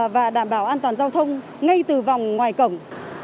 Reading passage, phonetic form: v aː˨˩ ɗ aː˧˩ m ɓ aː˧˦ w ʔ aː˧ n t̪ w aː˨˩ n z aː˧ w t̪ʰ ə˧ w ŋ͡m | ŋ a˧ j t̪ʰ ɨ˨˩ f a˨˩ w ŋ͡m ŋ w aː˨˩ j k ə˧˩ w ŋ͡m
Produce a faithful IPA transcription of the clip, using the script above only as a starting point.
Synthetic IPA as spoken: v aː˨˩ ɗ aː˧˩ m ɓ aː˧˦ w ʔ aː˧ n t̪ w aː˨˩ n z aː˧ w t̪ʰ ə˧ w ŋ͡m | ŋ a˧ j t̪ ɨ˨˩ v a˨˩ w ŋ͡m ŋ w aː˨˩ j k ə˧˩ w ŋ͡m